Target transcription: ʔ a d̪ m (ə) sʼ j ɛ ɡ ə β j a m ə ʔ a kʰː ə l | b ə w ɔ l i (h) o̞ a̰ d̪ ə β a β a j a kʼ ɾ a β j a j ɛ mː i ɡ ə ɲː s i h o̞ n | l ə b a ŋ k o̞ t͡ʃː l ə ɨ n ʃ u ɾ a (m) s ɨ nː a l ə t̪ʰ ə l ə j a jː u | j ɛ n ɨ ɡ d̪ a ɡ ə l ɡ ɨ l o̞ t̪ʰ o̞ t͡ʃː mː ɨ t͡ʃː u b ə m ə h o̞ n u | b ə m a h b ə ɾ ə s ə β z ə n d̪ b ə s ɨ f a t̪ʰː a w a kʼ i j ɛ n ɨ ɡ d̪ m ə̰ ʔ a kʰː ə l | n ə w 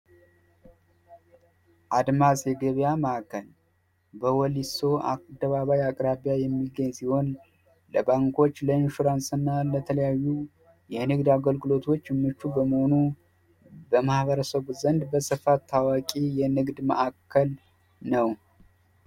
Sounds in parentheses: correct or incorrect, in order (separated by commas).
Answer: incorrect, incorrect, incorrect